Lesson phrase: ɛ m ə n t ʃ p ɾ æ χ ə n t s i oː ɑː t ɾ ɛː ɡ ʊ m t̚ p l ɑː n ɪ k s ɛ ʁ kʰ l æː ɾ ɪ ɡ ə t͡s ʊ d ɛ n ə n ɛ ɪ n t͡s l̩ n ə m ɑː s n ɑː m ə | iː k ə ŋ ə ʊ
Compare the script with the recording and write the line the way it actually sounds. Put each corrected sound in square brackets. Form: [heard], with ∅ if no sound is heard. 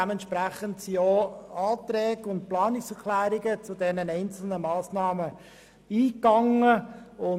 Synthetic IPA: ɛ m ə n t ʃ p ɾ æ χ ə n t s i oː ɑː t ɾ ɛː ɡ ʊ [n] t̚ p l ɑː n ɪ k s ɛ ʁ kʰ l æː ɾ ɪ ɡ ə t͡s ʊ d ɛ n ə n ɛ ɪ n t͡s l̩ n ə m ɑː s n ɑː m ə | iː k [ɑ] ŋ ə ʊ

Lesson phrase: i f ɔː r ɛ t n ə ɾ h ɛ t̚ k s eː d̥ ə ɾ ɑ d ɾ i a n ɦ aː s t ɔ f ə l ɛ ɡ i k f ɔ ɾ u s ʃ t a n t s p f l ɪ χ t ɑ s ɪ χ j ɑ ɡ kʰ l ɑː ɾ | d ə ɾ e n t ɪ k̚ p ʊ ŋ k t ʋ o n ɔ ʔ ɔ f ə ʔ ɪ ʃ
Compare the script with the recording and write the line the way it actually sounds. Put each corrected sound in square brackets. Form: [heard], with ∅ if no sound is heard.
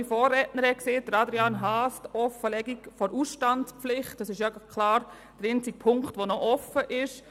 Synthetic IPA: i f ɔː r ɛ t n ə ɾ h ɛ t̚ k s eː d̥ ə ɾ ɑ d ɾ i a n ɦ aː s t ɔ f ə l ɛ ɡ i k f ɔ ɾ u s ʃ t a n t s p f l ɪ χ t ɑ s ɪ [ʃ] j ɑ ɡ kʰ l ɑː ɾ | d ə ɾ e n [t͡s] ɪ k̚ [pʰ] ʊ ŋ k t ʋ o n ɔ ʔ ɔ f ə ʔ ɪ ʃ

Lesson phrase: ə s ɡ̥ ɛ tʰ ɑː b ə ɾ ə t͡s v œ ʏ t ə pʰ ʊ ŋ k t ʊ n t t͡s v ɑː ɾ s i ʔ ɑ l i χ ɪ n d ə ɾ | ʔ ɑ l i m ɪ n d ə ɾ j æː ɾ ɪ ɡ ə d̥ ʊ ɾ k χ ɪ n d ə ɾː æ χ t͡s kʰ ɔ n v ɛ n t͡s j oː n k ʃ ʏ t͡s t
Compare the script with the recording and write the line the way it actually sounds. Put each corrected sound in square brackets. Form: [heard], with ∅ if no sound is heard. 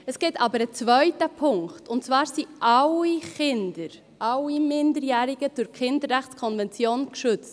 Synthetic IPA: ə s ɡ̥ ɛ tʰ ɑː b ə ɾ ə t͡s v œ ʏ t ə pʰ ʊ ŋ k t ʊ n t t͡s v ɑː ɾ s i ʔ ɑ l i χ ɪ n d ə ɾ | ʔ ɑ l i m ɪ n d ə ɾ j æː ɾ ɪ ɡ ə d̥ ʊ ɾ k χ ɪ n d ə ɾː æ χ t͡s kʰ ɔ n v ɛ n t͡s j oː n k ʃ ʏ t͡s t

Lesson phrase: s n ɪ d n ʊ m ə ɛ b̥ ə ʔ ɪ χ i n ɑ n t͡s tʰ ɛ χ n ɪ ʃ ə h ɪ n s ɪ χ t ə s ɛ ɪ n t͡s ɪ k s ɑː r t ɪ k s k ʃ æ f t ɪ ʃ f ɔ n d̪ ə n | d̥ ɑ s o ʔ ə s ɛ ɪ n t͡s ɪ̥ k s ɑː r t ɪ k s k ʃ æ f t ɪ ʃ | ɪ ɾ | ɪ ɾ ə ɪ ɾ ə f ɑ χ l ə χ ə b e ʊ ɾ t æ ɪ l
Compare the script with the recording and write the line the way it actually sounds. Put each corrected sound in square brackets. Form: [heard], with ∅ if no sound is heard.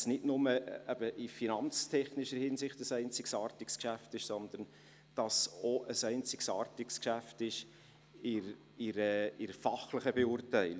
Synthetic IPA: s n ɪ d n ʊ m ə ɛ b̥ ə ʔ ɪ [f] i n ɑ n t͡s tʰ ɛ χ n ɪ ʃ ə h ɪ n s ɪ χ t ə s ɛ ɪ n t͡s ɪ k s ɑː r t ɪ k s k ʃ æ f t ɪ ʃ [s] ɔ n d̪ ə n | d̥ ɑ s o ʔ ə s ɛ ɪ n t͡s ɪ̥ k s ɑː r t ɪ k s k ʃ æ f t ɪ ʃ | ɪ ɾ | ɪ ɾ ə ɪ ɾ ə f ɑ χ l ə χ ə b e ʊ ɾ t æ ɪ l

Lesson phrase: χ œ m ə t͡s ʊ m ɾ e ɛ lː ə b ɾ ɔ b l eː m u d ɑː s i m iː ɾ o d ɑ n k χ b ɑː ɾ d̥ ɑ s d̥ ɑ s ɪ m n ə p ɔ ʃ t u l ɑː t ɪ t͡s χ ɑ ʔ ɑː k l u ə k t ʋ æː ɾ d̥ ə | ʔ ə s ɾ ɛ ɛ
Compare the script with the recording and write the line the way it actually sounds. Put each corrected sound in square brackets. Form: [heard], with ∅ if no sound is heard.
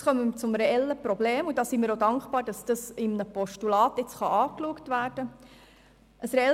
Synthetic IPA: χ œ m ə t͡s ʊ m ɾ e ɛ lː ə [p] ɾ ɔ b l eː m u d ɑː s i m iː ɾ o d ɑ [ŋ] k χ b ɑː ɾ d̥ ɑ s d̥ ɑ s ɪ m n ə p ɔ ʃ t u l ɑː t ɪ t͡s χ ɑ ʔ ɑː k l u ə k t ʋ æː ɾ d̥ ə | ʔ ə s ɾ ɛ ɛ

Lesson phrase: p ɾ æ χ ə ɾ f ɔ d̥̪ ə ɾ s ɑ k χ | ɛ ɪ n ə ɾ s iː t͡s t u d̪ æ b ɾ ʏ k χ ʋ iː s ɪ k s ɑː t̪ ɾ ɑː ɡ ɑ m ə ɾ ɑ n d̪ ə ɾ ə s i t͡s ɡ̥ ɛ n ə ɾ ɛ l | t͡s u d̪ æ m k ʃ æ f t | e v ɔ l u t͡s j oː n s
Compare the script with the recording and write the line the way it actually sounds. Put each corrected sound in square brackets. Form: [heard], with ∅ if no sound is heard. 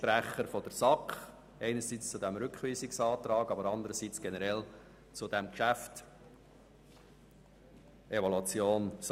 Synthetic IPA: p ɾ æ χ ə ɾ f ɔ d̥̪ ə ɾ s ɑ k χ | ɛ ɪ n ə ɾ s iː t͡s [t͡s] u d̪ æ [m] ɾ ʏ k χ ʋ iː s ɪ k s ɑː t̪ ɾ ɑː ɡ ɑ [b] ə ɾ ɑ n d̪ ə ɾ ə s i t͡s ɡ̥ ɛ n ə ɾ ɛ l | t͡s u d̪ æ m k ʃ æ f t | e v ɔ l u t͡s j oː n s

